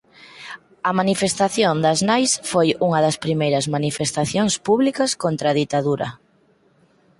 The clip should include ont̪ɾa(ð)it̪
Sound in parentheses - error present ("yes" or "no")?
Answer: no